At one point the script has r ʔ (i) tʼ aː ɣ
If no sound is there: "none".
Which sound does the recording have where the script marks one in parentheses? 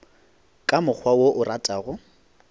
a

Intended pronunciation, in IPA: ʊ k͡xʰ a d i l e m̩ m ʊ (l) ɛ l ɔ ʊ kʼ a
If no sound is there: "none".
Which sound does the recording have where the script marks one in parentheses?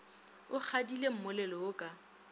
l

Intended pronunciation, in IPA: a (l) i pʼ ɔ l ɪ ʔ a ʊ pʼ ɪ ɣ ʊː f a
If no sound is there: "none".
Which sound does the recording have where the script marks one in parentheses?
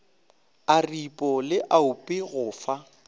r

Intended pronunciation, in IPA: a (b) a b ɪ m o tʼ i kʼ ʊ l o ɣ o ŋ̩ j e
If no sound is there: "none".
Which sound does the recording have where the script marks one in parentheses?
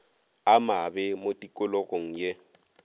m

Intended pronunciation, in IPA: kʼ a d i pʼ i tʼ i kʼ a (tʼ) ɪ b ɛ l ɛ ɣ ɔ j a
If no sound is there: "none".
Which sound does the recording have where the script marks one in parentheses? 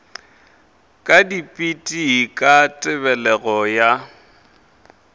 tʼ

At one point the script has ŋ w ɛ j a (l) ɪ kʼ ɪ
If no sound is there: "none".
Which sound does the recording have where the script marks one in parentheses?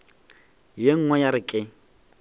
ɾ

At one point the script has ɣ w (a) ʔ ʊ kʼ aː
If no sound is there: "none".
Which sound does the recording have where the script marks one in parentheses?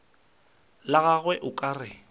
ɛ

